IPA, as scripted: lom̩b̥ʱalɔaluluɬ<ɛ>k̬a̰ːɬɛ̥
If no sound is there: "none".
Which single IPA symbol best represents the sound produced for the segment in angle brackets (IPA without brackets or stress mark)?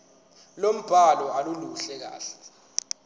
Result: ɛ